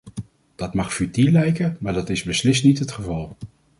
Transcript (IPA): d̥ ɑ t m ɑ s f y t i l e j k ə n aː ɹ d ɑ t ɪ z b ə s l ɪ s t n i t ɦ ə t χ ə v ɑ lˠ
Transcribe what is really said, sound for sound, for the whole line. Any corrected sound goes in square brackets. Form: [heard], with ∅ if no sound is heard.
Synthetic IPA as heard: d̥ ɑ t m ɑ [χ] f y t i l [ɛ] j k ə [m] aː ɹ d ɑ t ɪ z b ə s l ɪ s t n i t ɦ ə t χ ə v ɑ lˠ